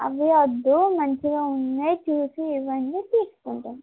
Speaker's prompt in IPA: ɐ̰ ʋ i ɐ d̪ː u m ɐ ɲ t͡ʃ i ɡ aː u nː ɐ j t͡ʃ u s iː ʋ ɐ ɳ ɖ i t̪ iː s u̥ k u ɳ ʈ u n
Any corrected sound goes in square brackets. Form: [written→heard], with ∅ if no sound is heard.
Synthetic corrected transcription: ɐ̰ ʋ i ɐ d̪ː u m ɐ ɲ t͡ʃ i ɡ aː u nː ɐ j t͡ʃ [u→uː] s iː ʋ ɐ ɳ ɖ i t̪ iː s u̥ k u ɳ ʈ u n